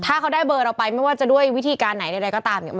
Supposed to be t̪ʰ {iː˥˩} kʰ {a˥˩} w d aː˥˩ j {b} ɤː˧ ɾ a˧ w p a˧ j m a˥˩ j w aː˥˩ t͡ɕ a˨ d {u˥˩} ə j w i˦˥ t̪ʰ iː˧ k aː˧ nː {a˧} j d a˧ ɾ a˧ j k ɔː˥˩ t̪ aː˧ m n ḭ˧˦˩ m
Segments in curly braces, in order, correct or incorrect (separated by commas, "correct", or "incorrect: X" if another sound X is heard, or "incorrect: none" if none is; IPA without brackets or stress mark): incorrect: aː˥˩, incorrect: a˦˥, correct, correct, incorrect: a˩˦